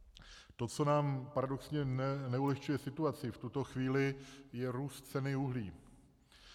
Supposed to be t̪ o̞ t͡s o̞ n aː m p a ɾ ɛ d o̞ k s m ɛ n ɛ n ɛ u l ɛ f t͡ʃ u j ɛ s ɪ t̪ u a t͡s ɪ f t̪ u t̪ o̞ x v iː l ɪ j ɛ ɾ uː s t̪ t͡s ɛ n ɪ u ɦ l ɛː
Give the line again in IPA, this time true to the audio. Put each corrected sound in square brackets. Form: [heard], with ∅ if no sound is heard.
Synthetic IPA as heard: t̪ o̞ t͡s o̞ n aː m p a ɾ [a] d o̞ k s [ɲ] ɛ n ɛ n ɛ u l ɛ [x] t͡ʃ u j ɛ s ɪ t̪ u a t͡s ɪ f t̪ u t̪ o̞ x v iː l ɪ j ɛ ɾ uː s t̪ t͡s ɛ n ɪ u ɦ l [iː]